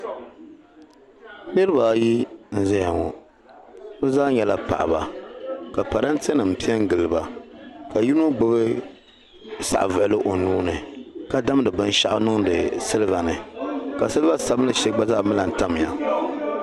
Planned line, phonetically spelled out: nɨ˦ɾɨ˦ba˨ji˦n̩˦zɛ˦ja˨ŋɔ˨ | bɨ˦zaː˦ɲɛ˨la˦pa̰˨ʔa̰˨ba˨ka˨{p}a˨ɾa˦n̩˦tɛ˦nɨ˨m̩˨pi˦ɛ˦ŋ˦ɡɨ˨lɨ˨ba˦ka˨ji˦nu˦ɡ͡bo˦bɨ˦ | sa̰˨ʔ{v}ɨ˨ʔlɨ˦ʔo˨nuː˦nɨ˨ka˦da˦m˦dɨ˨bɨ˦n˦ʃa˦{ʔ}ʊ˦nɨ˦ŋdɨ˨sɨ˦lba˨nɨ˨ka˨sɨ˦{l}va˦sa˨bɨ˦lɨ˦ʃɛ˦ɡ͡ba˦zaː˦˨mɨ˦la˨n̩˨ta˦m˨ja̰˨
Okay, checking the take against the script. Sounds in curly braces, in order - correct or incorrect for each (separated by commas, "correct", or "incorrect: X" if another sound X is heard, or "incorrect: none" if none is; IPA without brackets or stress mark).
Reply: correct, correct, correct, correct